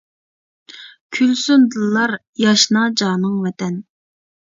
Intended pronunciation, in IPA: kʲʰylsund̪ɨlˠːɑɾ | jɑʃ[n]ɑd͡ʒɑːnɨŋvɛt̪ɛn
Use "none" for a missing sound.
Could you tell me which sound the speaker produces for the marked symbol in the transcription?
n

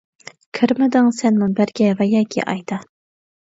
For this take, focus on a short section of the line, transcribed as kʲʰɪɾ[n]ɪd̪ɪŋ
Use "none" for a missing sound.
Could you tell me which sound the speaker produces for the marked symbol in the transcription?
m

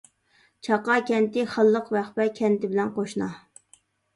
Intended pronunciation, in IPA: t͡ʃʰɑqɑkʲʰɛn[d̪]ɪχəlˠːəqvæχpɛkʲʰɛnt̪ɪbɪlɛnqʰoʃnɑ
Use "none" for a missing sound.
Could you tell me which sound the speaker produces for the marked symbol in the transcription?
t̪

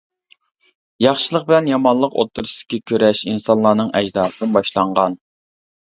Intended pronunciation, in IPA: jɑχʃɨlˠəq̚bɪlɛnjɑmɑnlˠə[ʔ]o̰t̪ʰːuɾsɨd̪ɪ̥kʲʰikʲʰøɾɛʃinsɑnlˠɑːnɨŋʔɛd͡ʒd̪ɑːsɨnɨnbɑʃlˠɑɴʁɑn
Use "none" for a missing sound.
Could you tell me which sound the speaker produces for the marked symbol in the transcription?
q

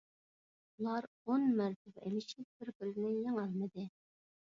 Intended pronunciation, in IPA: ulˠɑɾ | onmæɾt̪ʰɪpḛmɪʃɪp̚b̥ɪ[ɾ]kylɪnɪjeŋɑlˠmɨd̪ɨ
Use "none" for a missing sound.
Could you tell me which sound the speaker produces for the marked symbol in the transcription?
ɾ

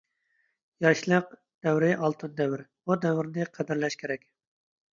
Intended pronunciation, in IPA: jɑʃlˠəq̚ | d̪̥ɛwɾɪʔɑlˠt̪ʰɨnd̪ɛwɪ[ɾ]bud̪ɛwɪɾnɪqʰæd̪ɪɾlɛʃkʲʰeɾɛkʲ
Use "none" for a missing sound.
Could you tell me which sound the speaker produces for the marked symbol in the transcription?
ɾ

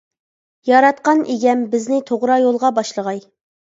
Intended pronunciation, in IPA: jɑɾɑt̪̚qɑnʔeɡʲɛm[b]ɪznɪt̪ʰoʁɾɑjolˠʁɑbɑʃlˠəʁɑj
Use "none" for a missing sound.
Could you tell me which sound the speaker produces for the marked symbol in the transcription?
b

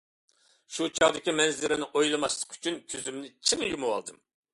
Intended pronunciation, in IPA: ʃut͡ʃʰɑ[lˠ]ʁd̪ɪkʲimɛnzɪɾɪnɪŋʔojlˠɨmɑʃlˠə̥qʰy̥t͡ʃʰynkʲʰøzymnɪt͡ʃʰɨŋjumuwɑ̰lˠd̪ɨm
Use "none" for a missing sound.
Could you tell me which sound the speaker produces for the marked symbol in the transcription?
none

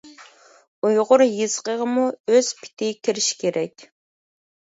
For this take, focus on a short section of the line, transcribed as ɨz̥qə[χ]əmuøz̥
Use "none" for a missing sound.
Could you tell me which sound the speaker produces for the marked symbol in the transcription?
ʁ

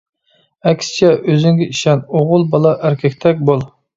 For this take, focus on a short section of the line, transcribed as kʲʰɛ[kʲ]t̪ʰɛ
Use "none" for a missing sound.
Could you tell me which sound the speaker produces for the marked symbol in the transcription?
kʲ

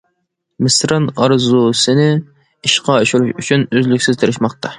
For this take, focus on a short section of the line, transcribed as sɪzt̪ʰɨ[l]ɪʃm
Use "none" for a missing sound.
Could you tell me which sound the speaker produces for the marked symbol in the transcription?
ɾ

